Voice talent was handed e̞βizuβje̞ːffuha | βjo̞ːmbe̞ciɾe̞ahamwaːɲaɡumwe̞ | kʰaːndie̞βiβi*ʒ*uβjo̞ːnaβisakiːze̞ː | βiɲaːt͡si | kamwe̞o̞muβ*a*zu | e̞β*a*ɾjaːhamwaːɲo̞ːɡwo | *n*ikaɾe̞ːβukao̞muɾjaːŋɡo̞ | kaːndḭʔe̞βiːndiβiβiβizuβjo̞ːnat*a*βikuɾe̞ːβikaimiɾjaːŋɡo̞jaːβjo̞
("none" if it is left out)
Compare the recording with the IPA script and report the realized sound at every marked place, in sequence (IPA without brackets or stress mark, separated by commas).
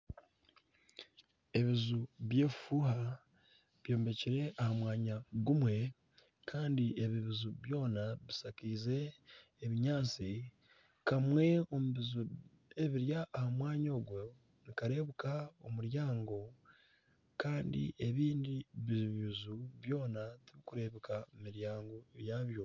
z, i, i, n, i